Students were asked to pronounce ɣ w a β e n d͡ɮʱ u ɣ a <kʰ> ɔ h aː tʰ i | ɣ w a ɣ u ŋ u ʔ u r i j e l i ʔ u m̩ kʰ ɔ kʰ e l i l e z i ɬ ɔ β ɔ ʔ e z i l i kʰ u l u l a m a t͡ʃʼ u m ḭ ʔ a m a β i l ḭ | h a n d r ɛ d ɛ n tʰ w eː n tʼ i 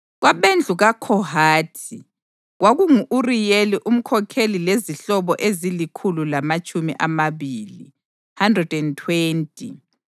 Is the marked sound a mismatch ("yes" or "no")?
no